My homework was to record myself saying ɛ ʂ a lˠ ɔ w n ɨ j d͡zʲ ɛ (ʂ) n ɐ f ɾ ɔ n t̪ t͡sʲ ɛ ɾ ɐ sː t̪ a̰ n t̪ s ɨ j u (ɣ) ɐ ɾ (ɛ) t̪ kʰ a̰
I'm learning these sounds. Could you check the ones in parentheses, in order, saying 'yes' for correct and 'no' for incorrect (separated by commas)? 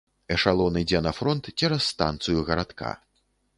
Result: no, yes, no